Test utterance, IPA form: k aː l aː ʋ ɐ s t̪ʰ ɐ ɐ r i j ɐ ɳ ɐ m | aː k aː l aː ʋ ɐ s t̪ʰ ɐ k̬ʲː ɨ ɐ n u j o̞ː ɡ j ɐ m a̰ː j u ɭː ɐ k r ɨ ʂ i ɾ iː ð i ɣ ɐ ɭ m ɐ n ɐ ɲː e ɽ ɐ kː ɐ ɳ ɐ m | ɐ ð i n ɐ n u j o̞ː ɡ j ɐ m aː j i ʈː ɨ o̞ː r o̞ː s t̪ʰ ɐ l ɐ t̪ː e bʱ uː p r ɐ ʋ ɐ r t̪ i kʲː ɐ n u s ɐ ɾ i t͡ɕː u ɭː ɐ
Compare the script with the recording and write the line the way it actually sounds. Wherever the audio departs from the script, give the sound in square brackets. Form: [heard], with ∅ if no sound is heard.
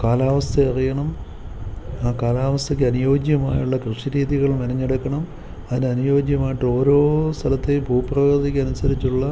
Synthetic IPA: k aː l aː ʋ ɐ s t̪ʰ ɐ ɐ r i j ɐ ɳ ɐ m | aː k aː l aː ʋ ɐ s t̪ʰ ɐ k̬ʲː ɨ ɐ n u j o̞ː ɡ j ɐ m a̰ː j u ɭː ɐ k r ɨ ʂ i ɾ iː ð i ɣ ɐ ɭ m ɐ n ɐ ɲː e ɽ ɐ kː ɐ ɳ ɐ m | ɐ ð i n ɐ n u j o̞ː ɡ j ɐ m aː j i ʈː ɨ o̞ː [ɾ] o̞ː s t̪ʰ ɐ l ɐ t̪ː e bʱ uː p r ɐ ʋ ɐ r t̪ i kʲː ɐ n u s ɐ ɾ i t͡ɕː u ɭː ɐ